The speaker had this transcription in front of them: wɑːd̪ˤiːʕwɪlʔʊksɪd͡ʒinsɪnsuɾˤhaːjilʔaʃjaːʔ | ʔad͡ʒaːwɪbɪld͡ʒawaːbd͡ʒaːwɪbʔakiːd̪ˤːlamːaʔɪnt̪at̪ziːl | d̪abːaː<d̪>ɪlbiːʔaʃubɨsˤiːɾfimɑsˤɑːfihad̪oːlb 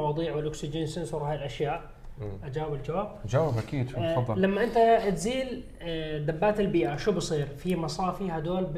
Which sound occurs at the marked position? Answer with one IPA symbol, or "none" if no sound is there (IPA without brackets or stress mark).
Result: t̪